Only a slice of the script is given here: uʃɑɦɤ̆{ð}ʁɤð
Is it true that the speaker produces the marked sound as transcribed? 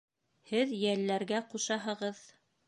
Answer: no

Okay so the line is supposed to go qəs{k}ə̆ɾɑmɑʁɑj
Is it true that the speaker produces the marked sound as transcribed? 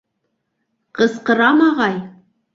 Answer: no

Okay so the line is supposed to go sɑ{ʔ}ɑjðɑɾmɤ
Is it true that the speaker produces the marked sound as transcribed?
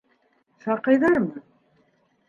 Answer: no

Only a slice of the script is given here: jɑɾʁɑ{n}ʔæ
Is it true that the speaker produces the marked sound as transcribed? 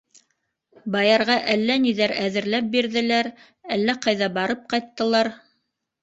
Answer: no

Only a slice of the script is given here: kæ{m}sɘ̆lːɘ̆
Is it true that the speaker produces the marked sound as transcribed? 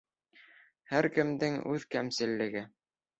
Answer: yes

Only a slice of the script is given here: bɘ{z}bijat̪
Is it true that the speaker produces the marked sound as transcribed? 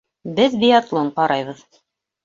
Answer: no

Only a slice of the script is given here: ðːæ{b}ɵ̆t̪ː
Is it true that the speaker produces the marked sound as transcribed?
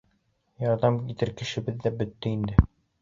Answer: yes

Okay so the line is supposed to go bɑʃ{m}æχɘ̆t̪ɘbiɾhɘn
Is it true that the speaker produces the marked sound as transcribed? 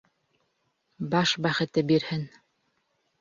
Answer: no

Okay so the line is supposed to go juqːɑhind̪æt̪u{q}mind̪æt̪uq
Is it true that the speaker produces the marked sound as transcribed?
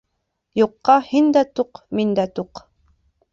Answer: yes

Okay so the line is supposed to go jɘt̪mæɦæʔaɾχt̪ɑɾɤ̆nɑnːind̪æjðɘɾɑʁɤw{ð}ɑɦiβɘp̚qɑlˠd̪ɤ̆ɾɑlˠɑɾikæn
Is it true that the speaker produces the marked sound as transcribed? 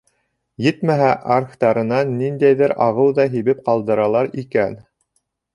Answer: yes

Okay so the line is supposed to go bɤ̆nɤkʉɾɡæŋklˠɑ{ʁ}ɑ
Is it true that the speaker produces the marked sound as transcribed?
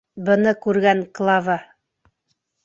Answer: no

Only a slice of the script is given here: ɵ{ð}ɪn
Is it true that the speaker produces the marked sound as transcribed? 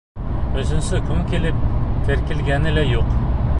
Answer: no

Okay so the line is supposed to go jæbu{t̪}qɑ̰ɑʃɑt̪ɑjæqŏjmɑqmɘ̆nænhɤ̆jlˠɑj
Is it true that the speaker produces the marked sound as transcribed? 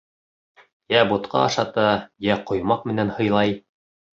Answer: yes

